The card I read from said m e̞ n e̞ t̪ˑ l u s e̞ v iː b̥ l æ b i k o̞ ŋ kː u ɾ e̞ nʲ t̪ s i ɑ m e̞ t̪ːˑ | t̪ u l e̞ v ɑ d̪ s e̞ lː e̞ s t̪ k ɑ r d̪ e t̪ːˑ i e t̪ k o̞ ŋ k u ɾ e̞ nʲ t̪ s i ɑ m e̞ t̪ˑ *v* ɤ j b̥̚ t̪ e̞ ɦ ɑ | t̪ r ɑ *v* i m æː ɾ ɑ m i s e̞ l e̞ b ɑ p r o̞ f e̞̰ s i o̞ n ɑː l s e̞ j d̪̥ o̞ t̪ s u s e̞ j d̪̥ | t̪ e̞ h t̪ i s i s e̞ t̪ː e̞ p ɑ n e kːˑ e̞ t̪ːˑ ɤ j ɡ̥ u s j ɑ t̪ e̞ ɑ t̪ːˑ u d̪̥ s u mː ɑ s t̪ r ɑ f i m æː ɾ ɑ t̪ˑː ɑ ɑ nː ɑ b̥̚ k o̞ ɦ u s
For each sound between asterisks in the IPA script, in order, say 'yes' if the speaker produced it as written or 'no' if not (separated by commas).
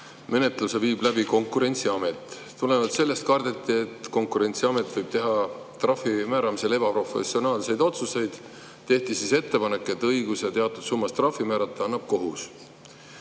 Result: yes, no